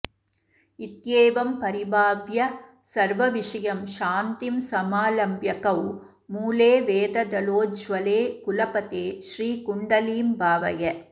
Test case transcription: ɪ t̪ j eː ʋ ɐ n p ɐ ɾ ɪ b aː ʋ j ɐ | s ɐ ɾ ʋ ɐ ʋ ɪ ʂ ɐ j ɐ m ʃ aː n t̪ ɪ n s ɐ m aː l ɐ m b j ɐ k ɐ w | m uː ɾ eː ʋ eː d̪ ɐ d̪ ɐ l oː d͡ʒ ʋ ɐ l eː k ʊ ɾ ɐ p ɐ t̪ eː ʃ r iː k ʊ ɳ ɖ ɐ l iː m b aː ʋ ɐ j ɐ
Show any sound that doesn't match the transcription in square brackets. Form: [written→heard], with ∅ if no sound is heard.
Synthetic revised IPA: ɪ t̪ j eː ʋ ɐ [n→m] p ɐ ɾ ɪ b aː ʋ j ɐ | s ɐ ɾ ʋ ɐ ʋ ɪ ʂ ɐ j ɐ m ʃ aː n t̪ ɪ [n→m] s ɐ m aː l ɐ m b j ɐ k ɐ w | m uː [ɾ→l] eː ʋ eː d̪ ɐ d̪ ɐ l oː d͡ʒ ʋ ɐ l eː k ʊ [ɾ→l] ɐ p ɐ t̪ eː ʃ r iː k ʊ ɳ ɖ ɐ l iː m b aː ʋ ɐ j ɐ